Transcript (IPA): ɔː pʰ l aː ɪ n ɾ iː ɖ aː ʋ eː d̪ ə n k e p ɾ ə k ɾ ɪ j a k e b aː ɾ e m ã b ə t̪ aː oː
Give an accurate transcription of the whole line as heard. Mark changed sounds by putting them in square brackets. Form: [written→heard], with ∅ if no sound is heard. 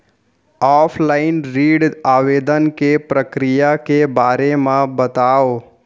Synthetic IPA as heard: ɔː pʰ l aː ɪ n ɾ iː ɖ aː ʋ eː d̪ ə n k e p ɾ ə k ɾ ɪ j a k e b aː ɾ e m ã b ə t̪ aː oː